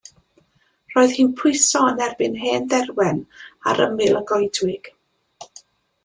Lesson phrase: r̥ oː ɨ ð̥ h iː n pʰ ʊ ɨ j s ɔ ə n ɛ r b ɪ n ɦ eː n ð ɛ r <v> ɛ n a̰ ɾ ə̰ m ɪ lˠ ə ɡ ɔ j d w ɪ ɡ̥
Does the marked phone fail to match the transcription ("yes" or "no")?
yes